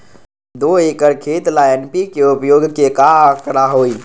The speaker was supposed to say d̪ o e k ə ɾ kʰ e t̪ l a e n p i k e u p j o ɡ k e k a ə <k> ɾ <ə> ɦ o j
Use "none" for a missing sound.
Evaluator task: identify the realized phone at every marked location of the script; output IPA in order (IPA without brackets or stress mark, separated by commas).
k, a